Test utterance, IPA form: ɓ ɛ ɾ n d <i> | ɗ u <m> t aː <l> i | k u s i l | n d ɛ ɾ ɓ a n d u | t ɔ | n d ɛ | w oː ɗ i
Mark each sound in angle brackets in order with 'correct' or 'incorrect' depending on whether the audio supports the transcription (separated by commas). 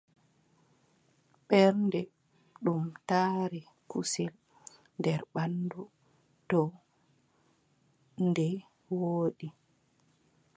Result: incorrect, correct, incorrect